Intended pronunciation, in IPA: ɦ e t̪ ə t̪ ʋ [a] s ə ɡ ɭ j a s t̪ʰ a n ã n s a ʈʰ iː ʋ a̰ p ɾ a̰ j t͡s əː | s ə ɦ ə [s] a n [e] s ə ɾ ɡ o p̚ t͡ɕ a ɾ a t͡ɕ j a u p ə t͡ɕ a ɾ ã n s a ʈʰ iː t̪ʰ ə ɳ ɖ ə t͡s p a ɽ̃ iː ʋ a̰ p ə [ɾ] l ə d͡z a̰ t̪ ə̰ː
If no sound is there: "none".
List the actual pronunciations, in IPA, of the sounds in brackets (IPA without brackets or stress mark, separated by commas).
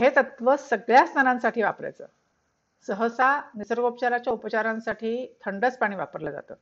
ə, s, i, ɾ